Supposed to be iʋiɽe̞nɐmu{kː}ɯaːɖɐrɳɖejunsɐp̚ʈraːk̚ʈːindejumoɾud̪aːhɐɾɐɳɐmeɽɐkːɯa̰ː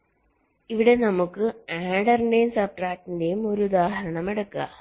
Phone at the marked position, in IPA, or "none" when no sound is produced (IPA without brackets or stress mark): kː